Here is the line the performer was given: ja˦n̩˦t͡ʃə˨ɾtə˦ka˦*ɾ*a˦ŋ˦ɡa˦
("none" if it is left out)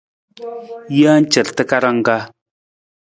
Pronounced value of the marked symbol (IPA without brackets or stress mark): ɾ